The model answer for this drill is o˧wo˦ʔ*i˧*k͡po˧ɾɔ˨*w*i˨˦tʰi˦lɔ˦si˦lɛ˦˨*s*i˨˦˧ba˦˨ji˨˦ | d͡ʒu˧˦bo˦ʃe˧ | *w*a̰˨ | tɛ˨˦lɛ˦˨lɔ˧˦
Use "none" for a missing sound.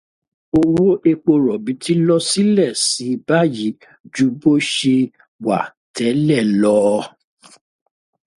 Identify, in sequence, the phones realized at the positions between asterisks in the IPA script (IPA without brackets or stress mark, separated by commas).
e˧, b, s, w